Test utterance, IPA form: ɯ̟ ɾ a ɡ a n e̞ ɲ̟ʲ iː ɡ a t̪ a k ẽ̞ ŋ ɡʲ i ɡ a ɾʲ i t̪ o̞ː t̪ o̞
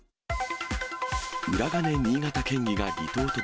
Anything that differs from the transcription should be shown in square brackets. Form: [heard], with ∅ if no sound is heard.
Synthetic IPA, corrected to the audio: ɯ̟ ɾ a ɡ a n e̞ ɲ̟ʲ iː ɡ a t̪ a k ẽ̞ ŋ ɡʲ i ɡ a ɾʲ i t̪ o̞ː t̪ o̞